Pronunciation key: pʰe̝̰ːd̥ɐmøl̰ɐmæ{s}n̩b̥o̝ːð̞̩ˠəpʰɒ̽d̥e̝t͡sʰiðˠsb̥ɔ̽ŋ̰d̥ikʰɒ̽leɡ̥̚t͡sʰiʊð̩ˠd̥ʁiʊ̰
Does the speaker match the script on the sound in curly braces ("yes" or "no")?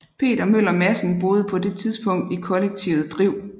yes